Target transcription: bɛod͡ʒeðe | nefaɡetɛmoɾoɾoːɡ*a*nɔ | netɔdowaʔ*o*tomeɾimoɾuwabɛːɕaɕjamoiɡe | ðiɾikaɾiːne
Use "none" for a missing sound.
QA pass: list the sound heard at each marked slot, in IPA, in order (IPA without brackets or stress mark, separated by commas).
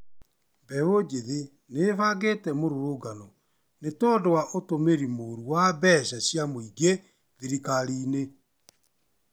a, o